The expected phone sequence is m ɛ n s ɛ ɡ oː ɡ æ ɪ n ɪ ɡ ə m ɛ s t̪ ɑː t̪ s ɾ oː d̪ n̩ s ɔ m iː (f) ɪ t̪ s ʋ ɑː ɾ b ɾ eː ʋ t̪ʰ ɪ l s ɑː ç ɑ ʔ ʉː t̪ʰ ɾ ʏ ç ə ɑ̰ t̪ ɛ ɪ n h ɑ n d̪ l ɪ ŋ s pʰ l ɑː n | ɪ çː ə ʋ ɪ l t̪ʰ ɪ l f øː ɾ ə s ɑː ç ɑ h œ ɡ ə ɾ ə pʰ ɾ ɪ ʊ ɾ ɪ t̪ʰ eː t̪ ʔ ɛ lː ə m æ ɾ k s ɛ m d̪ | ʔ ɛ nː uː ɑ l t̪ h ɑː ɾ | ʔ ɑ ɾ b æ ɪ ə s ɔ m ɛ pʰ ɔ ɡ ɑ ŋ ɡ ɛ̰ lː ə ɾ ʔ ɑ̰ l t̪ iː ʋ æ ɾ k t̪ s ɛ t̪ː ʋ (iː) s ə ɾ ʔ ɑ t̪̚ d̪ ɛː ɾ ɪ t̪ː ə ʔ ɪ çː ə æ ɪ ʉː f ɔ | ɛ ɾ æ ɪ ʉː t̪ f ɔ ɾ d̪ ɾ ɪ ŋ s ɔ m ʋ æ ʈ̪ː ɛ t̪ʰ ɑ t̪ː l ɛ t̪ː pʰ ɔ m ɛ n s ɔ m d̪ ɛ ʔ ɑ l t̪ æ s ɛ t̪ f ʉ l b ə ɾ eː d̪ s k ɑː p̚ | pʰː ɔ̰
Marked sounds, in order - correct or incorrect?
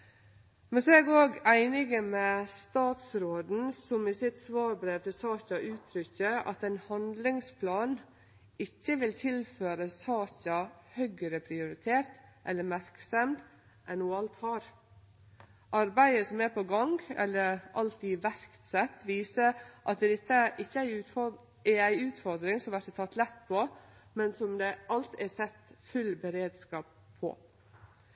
incorrect, correct

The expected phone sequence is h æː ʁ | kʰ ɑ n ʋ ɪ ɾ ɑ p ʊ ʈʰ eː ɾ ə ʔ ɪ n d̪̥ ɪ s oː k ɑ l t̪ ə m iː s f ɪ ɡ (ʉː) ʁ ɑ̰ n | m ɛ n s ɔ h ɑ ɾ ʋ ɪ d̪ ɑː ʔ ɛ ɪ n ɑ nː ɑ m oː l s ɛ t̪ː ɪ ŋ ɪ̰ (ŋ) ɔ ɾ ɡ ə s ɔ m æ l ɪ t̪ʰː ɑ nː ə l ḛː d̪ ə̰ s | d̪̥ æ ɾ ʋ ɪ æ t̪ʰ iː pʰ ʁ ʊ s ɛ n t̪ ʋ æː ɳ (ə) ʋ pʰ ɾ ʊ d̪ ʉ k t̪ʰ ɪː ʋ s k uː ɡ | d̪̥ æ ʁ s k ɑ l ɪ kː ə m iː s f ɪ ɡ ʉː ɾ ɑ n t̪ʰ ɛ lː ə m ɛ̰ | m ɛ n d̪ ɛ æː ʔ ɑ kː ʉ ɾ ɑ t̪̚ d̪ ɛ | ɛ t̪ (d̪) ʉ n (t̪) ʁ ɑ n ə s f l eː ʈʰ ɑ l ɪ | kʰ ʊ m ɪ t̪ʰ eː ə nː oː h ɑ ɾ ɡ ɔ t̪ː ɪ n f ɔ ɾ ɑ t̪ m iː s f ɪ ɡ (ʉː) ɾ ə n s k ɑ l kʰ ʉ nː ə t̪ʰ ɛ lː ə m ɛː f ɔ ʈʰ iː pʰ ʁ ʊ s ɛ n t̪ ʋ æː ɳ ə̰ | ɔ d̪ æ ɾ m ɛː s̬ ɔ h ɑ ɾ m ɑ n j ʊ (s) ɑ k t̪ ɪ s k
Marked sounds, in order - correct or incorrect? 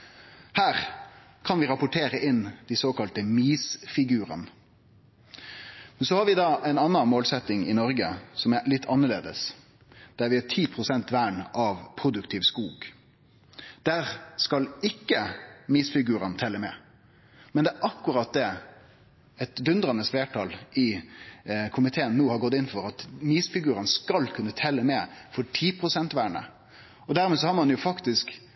correct, incorrect, incorrect, correct, incorrect, correct, incorrect

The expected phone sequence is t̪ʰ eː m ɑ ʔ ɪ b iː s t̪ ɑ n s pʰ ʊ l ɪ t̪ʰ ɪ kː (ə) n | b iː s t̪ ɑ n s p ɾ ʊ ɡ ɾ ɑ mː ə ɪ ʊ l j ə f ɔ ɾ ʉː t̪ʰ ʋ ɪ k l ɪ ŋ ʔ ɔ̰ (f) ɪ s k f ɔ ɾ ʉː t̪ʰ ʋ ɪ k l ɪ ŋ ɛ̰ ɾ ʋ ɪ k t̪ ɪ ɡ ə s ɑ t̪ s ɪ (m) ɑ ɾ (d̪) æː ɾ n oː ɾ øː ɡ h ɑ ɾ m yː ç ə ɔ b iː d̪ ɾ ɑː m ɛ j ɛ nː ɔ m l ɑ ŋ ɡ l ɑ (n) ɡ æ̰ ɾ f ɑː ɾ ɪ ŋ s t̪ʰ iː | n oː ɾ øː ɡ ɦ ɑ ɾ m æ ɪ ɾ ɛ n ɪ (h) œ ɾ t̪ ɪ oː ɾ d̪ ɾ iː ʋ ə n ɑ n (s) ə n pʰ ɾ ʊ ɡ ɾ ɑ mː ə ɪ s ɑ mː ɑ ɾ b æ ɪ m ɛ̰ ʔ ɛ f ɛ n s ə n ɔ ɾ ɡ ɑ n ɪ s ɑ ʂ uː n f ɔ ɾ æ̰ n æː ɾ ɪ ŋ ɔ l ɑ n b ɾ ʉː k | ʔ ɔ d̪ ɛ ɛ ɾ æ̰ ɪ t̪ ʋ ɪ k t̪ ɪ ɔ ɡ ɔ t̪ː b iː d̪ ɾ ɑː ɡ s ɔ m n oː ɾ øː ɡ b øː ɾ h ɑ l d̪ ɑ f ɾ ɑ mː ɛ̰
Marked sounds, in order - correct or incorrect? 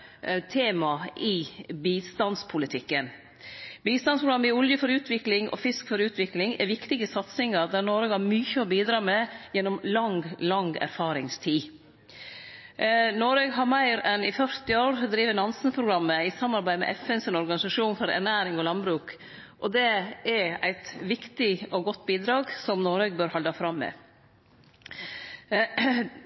correct, correct, incorrect, correct, incorrect, incorrect, correct

